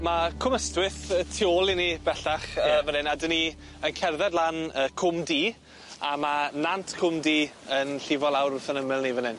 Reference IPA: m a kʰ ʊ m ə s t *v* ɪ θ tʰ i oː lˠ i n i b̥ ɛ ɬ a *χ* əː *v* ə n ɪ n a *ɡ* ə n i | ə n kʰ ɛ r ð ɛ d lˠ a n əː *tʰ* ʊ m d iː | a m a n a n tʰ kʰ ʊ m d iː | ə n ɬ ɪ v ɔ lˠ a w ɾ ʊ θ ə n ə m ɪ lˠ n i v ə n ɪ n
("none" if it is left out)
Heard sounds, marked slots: w, χ, v, d, kʰ

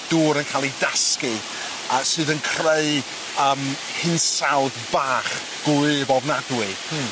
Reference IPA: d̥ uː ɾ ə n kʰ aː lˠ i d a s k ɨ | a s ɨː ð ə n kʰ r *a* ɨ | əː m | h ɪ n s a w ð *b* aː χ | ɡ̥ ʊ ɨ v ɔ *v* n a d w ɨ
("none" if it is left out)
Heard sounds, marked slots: e, b, v

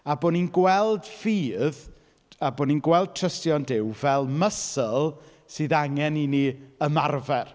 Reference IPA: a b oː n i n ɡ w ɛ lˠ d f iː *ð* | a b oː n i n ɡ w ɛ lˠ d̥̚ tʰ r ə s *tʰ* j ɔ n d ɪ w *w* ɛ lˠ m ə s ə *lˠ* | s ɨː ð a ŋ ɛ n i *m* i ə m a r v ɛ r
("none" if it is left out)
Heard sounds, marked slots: ð, t, v, lˠ, n

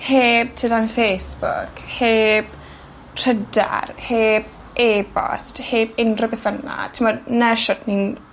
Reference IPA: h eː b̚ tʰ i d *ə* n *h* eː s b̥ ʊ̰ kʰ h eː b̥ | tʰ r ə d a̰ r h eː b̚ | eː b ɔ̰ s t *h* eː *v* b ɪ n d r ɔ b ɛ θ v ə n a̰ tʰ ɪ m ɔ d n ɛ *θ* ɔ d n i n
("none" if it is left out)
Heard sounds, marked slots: a, f, h, none, ʃ

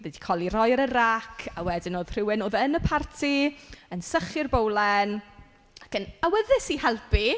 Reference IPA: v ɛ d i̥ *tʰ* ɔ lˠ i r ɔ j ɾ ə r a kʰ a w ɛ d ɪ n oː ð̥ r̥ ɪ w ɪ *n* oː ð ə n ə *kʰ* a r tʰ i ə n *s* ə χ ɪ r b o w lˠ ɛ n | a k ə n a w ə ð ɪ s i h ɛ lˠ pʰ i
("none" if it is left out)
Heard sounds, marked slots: kʰ, n, pʰ, s

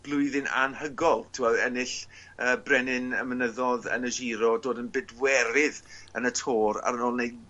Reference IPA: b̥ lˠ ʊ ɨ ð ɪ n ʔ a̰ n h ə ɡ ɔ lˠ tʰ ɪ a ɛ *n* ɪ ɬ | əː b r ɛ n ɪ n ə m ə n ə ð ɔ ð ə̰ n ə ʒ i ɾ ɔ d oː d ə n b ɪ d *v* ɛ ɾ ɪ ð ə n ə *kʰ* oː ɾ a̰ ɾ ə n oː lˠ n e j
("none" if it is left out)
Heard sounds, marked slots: n, w, tʰ

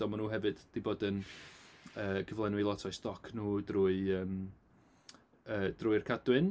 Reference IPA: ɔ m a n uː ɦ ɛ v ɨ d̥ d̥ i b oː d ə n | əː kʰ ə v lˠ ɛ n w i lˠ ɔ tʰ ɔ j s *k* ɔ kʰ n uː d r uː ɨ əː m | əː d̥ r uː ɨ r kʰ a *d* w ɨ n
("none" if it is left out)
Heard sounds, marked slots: t, d

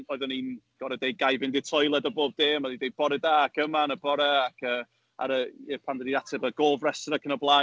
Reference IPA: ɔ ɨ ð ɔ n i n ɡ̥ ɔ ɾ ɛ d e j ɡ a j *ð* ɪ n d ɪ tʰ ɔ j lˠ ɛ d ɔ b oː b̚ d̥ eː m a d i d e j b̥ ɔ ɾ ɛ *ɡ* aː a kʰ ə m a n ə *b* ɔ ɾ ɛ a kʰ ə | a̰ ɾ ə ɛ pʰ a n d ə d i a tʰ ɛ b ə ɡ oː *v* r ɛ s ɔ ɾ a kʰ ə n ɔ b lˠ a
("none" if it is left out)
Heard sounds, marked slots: v, d, b, v

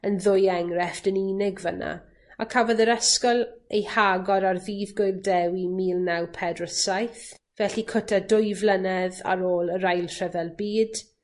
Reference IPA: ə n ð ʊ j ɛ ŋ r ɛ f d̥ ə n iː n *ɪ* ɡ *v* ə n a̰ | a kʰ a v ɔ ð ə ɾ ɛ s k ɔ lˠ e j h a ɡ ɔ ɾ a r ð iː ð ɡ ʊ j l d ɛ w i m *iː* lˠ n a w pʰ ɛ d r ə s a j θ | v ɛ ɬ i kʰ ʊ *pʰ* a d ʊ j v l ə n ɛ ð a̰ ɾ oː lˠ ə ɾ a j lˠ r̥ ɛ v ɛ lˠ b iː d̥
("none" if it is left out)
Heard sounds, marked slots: ɪ, v, iː, tʰ

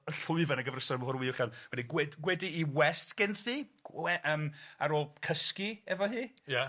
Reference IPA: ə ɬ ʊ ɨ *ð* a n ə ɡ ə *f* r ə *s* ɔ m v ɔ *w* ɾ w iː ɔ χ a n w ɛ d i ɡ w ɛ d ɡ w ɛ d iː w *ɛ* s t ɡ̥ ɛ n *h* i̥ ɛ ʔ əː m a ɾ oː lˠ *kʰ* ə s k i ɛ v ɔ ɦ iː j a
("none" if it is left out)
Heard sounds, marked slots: v, v, s, none, ɛ, θ, kʰ

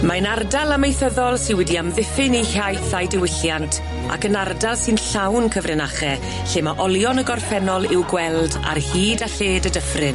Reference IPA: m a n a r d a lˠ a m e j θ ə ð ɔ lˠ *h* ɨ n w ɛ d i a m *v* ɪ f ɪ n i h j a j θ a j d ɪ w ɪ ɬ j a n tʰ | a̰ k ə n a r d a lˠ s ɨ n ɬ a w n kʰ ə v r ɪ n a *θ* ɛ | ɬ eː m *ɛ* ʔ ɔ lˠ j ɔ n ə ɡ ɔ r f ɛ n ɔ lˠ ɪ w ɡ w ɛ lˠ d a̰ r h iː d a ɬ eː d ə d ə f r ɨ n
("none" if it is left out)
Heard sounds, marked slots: s, ð, χ, a

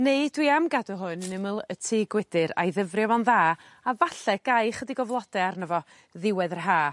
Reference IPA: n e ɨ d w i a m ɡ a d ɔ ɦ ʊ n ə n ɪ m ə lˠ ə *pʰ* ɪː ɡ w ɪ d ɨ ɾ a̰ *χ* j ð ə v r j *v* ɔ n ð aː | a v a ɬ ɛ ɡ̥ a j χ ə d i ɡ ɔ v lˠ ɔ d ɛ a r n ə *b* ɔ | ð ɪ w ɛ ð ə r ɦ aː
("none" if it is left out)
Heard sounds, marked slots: tʰ, none, v, v

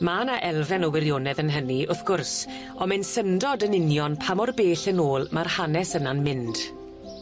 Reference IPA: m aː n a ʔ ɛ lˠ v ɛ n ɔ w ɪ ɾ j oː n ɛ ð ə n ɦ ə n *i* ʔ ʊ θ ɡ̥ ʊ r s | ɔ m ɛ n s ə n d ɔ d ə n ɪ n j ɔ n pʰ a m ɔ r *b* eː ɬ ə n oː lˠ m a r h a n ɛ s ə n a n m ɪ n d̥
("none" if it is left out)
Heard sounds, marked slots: i, b

